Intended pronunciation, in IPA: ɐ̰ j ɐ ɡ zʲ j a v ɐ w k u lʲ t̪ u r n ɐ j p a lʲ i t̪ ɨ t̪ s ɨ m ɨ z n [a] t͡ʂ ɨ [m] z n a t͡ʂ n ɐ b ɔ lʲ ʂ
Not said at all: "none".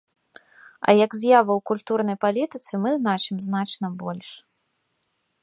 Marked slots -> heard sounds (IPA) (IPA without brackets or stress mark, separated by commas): a, m